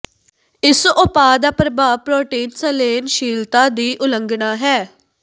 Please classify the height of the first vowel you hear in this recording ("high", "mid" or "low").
high